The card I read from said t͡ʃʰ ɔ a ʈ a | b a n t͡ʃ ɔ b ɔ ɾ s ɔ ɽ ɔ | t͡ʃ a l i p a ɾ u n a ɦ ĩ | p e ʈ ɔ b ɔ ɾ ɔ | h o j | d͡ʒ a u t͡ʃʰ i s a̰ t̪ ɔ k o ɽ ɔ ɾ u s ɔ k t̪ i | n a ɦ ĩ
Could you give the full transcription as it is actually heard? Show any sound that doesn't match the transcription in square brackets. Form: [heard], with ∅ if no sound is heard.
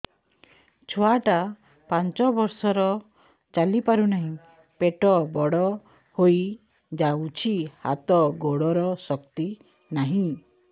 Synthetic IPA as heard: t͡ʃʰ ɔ a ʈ a | [p] a n t͡ʃ ɔ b ɔ ɾ s ɔ [ɾ] ɔ | t͡ʃ a l i p a ɾ u n a ɦ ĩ | p e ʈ ɔ b ɔ [ɽ] ɔ | h o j | d͡ʒ a u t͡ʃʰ i [h] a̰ t̪ ɔ [ɡ] o ɽ ɔ ɾ [ɔ] s ɔ k t̪ i | n a ɦ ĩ